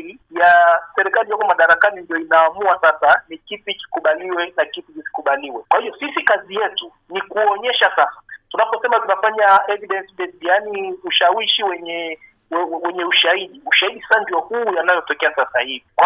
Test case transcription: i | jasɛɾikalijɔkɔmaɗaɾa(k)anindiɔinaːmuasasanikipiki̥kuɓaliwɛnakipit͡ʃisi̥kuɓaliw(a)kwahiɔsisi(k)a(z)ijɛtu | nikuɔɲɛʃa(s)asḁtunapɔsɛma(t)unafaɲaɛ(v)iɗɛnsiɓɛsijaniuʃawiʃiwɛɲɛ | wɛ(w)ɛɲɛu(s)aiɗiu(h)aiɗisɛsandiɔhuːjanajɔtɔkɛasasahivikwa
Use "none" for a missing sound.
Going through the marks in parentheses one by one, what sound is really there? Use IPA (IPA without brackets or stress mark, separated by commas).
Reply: k, ɛ, k, z, s, t, v, w, ʃ, ʃ